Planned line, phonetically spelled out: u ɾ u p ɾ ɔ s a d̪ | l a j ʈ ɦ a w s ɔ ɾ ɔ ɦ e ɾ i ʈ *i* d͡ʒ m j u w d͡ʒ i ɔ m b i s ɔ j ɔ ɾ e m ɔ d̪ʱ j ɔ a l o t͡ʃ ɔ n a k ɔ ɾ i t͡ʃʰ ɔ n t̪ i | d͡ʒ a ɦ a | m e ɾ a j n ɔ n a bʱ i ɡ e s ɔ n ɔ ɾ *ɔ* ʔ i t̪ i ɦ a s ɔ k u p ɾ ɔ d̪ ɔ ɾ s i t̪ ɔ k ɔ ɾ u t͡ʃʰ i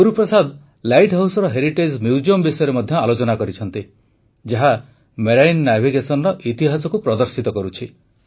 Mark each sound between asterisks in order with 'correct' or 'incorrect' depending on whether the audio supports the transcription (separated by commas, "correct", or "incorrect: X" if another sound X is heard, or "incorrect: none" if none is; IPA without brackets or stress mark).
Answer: incorrect: e, correct